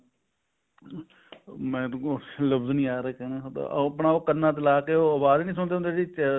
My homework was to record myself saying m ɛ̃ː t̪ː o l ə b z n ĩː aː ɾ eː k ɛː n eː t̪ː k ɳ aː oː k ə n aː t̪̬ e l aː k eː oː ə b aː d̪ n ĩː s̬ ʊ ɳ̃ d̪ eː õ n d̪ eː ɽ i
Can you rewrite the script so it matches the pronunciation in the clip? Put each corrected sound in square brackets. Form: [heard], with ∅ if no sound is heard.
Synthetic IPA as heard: m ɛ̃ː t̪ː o l ə b z n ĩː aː ɾ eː k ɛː n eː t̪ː [p] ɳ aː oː k ə n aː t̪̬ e l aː k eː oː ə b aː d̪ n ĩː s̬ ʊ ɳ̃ d̪ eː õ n d̪ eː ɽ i